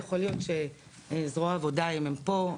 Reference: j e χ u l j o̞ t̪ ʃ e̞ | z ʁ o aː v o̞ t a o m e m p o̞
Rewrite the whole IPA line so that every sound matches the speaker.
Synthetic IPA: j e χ o l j o̞ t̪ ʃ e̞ | z ʁ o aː v o̞ d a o m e m p o̞